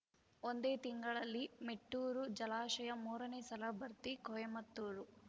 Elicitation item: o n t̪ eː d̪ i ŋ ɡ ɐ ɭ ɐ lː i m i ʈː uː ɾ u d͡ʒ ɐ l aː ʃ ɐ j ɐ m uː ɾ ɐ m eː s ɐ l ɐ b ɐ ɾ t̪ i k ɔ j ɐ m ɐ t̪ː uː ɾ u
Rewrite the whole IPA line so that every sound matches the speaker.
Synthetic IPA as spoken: o n d̪ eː t̪ i ŋ ɡ ɐ ɭ ɐ lː i m e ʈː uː ɾ u d͡ʒ ɐ l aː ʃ ɐ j ɐ m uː ɾ ɐ n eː s ɐ l ɐ b ɐ ɾ t̪ i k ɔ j ɐ m ɐ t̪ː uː ɾ u